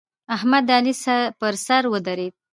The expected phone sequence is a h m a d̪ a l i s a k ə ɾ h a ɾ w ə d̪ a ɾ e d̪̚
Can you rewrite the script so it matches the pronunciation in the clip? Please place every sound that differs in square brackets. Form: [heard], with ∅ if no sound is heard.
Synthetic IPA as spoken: a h m a d̪ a l i s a [p] ə ɾ [s] a ɾ w ə d̪ a ɾ e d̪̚